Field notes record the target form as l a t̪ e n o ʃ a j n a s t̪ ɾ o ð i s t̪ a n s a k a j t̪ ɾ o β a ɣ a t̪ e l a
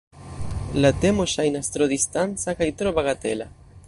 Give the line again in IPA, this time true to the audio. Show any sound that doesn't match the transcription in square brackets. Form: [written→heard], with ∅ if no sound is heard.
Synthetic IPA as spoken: l a t̪ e [n→m] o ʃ a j n a s t̪ ɾ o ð i s t̪ a n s a k a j t̪ ɾ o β a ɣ a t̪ e l a

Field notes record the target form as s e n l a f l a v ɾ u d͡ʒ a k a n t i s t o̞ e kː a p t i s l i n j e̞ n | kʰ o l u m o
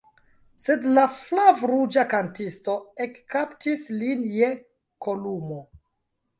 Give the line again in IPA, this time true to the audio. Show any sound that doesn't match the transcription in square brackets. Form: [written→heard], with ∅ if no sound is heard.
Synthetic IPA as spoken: s e [n→d] l a f l a v ɾ u d͡ʒ a k a n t i s t o̞ e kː a p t i s l i n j e̞ [n→∅] | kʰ o l u m o

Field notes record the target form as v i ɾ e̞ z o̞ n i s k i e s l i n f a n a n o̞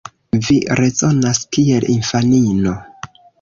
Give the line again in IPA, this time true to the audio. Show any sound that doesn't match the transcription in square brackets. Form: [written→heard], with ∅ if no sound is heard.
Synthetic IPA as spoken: v i ɾ e̞ z o̞ n [i→a] s k i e [s→∅] l i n f a n [a→i] n o̞

